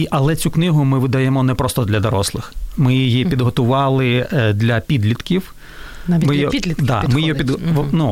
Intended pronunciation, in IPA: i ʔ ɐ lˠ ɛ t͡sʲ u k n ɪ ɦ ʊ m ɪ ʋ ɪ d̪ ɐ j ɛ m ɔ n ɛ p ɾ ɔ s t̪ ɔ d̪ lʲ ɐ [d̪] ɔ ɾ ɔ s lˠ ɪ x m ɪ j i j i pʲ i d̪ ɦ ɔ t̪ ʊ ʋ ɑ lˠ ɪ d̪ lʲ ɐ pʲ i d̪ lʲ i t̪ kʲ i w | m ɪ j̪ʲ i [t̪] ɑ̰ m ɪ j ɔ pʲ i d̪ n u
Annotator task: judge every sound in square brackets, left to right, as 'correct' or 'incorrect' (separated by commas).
correct, incorrect